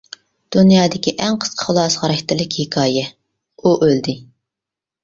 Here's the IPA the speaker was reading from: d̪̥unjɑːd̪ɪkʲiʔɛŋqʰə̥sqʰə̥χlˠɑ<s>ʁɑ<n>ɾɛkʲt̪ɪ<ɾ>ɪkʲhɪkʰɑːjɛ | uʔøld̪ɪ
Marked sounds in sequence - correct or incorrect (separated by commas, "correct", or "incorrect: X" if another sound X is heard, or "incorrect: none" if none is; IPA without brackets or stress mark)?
correct, incorrect: none, incorrect: l